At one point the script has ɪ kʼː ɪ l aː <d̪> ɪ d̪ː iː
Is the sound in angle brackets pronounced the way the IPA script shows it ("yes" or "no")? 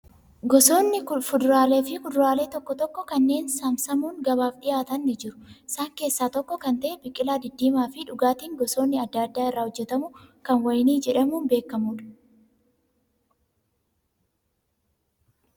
yes